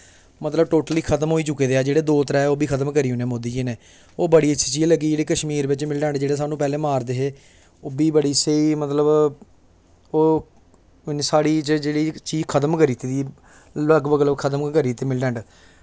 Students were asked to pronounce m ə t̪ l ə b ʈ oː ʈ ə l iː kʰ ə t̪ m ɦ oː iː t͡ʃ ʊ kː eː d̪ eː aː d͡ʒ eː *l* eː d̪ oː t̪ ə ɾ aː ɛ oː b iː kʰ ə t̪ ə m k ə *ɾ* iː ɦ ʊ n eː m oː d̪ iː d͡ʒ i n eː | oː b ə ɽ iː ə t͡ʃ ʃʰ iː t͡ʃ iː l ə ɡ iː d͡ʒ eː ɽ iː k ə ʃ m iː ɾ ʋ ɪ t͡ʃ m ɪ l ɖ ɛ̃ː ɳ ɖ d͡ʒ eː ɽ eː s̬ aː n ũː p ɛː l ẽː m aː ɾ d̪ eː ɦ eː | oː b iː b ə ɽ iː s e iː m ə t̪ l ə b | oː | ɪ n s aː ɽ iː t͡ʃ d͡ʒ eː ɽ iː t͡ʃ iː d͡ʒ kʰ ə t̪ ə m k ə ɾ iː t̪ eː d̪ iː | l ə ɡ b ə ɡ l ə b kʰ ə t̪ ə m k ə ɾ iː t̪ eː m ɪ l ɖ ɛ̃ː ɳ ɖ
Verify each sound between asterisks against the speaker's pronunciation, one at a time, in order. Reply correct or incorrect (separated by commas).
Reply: incorrect, correct